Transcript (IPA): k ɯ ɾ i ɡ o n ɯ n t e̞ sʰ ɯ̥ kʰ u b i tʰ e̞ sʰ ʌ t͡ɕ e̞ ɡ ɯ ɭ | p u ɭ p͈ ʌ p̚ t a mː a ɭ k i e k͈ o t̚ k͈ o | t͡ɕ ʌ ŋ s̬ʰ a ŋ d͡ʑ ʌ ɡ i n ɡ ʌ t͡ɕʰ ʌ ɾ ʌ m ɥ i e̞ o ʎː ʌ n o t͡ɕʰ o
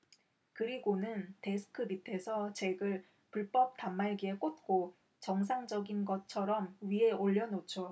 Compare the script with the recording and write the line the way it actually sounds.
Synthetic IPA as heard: k ɯ ɾ i ɡ o n ɯ n t e̞ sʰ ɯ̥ kʰ ɯ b i tʰ e̞ sʰ ʌ t͡ɕ e̞ ɡ ɯ ɭ | p u ɭ p͈ ʌ p̚ t a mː a ɭ ɡ i e k͈ o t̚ k͈ o | t͡ɕ ʌ ŋ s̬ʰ a ŋ d͡ʑ ʌ ɡ i n ɡ ʌ t͡ɕʰ ʌ ɾ ʌ m ɥ i e̞ o ʎː ʌ n o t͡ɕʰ o